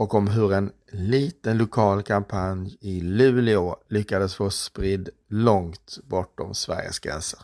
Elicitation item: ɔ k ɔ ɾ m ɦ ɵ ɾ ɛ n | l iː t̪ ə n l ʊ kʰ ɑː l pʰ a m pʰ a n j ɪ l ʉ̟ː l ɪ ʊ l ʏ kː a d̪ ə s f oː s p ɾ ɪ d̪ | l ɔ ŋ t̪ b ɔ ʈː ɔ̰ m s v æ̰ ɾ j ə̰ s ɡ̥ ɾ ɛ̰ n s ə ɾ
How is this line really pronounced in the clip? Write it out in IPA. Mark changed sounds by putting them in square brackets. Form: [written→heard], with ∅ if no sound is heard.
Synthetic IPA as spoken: ɔ k ɔ [ɾ→∅] m ɦ ɵ ɾ ɛ n | l iː t̪ ə n l ʊ kʰ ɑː l [pʰ→kʰ] a m pʰ a n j ɪ l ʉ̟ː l ɪ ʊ l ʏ kː a d̪ ə s f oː s p ɾ ɪ d̪ | l ɔ ŋ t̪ b ɔ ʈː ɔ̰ m s v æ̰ ɾ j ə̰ s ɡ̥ ɾ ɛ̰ n s ə ɾ